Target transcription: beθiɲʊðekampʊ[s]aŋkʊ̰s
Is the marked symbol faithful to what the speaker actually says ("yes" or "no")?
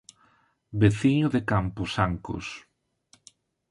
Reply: yes